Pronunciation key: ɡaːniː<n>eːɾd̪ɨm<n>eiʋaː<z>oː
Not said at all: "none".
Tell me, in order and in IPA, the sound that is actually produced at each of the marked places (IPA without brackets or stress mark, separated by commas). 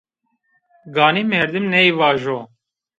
m, n, ʒ